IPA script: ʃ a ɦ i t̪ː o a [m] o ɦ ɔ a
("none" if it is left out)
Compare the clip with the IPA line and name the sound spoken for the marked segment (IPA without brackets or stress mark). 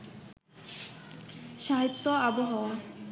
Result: b